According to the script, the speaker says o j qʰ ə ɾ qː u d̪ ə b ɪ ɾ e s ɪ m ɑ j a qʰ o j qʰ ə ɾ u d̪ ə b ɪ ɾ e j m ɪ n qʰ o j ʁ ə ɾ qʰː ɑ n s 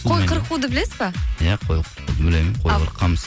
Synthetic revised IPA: o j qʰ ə ɾ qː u d̪ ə b ɪ l e s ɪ b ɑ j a qʰ o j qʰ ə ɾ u d̪ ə b ɪ l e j m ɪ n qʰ o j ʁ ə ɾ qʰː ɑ m s